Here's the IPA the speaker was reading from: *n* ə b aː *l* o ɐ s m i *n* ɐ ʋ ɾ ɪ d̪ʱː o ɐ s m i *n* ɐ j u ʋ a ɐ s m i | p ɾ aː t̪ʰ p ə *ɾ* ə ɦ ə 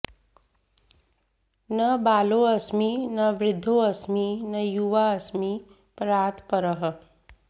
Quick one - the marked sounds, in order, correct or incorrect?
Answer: correct, correct, correct, correct, correct

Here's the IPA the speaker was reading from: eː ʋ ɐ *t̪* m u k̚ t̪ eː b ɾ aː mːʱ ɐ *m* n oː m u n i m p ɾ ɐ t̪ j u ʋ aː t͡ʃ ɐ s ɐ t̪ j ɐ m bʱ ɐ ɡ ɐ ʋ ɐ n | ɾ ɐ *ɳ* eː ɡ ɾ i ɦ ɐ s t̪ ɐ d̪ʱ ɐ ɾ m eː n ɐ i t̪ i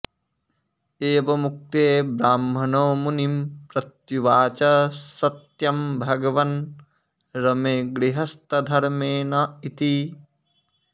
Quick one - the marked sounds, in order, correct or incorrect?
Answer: incorrect: none, incorrect: none, incorrect: m

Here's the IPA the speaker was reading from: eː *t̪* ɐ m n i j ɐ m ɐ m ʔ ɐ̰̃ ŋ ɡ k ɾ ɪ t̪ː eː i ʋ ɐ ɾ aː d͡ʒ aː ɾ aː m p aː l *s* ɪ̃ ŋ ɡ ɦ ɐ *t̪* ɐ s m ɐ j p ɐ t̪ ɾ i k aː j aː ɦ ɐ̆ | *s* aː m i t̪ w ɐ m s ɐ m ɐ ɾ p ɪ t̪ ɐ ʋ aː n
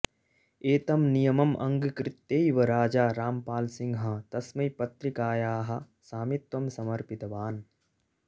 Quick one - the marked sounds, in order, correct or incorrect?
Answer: correct, correct, correct, correct

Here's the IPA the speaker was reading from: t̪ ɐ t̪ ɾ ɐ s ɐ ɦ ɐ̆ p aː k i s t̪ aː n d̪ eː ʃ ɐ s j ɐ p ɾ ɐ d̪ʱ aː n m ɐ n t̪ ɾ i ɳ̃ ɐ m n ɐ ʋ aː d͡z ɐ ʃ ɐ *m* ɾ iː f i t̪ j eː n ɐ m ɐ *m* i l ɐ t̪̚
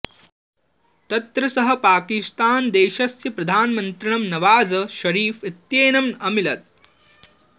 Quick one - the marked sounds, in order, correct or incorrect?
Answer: incorrect: none, correct

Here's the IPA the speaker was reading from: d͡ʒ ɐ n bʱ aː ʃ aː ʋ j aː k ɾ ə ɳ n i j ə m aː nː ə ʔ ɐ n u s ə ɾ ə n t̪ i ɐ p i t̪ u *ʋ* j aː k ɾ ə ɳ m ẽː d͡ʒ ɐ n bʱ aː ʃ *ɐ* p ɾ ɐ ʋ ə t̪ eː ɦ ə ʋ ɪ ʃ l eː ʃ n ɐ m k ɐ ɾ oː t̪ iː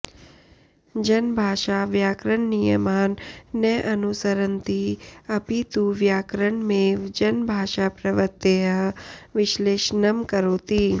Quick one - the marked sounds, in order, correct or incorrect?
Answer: correct, incorrect: a

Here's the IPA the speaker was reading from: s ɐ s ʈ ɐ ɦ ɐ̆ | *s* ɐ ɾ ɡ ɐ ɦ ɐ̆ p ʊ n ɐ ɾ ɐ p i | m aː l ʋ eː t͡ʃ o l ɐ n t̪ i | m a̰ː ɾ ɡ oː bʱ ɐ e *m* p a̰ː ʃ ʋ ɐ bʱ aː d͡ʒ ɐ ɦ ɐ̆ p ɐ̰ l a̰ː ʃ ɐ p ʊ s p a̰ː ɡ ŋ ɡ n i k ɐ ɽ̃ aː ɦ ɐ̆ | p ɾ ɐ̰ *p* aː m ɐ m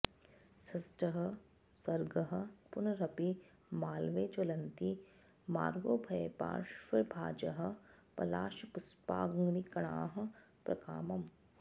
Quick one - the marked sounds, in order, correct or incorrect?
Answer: correct, incorrect: none, incorrect: k

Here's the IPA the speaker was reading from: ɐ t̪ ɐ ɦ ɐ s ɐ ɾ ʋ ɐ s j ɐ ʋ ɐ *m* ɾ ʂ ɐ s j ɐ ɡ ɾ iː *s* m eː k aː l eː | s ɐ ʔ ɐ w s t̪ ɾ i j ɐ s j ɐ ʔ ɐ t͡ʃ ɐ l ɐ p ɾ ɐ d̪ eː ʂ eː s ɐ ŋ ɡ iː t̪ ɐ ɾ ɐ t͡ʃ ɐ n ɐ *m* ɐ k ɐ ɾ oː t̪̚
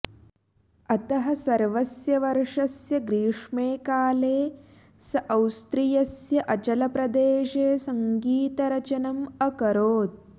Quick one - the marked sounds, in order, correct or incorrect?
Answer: incorrect: none, incorrect: ʂ, correct

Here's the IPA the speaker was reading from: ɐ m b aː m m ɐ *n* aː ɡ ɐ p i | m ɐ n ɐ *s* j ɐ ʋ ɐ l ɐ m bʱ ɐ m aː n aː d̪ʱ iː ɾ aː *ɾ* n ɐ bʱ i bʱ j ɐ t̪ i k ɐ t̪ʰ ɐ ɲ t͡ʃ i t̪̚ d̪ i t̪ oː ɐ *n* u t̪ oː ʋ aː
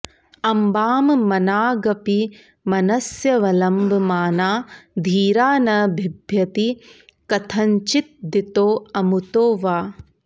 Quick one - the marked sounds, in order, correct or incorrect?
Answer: correct, correct, incorrect: none, incorrect: m

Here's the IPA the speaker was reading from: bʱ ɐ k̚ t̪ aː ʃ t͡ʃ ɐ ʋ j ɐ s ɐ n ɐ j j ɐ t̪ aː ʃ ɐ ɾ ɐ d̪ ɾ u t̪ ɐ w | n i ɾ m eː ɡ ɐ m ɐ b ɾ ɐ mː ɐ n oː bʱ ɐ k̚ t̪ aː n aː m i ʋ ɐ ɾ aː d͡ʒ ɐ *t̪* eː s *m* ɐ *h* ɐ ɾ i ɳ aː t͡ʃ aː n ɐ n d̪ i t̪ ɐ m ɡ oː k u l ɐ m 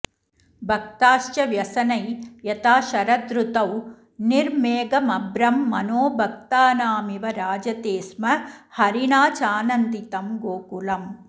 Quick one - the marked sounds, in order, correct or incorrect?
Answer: correct, correct, correct

